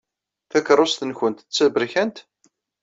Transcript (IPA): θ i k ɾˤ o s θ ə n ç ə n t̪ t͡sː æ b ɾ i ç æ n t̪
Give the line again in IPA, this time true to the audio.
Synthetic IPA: θ æ k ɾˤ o s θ ə n ç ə n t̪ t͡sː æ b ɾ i ç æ n t̪